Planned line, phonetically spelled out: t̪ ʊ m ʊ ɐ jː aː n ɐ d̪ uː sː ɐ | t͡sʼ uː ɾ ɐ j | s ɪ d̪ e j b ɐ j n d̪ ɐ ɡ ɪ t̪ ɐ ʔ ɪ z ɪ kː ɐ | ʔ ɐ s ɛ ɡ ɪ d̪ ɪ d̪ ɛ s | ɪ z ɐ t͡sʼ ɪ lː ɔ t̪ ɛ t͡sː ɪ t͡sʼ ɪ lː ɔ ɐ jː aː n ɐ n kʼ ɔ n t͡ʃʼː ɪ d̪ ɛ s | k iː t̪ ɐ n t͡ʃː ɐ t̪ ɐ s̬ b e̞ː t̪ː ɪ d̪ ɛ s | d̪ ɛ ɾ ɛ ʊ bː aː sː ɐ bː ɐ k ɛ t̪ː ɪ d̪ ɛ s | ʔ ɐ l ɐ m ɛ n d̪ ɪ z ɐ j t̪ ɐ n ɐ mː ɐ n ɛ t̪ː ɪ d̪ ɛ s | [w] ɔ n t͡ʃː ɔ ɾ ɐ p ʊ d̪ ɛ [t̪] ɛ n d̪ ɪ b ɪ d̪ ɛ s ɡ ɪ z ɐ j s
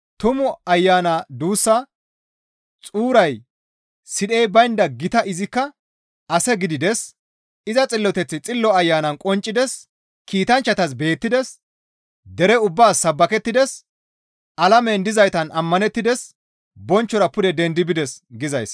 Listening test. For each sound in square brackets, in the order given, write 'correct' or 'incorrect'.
incorrect, incorrect

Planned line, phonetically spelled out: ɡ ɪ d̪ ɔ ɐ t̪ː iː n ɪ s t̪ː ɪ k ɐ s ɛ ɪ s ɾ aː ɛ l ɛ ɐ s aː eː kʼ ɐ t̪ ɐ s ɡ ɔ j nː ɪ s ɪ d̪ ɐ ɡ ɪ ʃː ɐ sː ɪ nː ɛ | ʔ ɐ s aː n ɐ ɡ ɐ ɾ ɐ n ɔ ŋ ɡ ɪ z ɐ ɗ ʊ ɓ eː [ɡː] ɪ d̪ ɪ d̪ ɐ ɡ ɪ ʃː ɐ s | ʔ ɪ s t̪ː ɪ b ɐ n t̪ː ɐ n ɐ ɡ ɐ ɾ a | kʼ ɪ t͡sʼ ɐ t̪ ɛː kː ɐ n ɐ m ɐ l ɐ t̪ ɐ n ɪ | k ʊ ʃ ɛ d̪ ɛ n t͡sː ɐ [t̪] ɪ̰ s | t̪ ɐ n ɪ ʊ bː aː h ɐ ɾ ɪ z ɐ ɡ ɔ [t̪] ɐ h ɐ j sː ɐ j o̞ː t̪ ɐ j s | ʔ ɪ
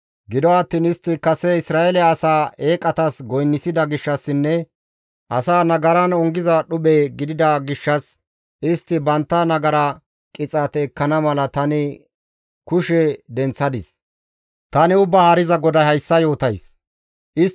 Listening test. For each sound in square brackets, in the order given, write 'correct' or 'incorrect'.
incorrect, incorrect, incorrect

